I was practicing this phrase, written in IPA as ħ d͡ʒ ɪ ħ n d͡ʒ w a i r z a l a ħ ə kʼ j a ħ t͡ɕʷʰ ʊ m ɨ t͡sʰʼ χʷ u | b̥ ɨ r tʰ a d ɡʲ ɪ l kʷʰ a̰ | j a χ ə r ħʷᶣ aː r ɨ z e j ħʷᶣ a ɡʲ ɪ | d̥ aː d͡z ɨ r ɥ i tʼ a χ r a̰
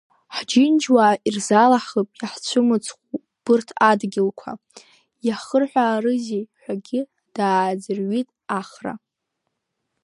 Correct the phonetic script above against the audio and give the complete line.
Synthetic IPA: ħ d͡ʒ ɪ n d͡ʒ w a i r z a l a ħ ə pʼ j a ħ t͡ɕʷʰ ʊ m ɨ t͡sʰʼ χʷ u | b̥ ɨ r tʰ a d ɡʲ ɪ l kʷʰ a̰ | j a χ ə r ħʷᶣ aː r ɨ z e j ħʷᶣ a ɡʲ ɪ | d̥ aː d͡z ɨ r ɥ i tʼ a χ r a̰